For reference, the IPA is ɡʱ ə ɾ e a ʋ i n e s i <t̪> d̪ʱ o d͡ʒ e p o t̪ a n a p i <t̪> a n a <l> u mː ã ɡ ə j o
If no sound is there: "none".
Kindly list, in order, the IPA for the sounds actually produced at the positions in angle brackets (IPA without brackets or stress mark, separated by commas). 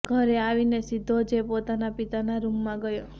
none, t̪, ɾ